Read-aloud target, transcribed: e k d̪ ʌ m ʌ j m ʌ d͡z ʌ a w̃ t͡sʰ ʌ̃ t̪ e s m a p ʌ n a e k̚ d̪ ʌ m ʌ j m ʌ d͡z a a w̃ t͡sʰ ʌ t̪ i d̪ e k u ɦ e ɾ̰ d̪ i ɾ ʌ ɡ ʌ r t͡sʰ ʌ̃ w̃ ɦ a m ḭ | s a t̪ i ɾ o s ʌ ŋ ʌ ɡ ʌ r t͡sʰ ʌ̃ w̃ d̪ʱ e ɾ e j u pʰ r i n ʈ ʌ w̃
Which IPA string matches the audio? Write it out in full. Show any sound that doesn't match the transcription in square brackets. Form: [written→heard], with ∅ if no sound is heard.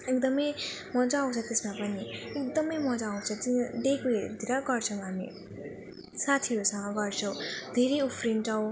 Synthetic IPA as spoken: e k d̪ ʌ m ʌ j m ʌ d͡z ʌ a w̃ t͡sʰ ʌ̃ t̪ e s m a p ʌ n [a→i] e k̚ d̪ ʌ m ʌ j m ʌ d͡z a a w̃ t͡sʰ ʌ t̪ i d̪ e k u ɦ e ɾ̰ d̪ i ɾ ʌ ɡ ʌ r t͡sʰ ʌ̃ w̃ ɦ a m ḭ | s a [t̪→t̪ʰ] i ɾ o s ʌ ŋ ʌ ɡ ʌ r t͡sʰ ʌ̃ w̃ d̪ʱ e ɾ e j u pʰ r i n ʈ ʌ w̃